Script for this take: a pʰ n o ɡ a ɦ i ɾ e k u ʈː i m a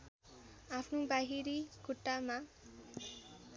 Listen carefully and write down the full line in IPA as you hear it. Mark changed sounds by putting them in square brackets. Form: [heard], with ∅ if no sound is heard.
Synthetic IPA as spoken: a pʰ n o [b] a ɦ i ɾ [i] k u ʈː [a] m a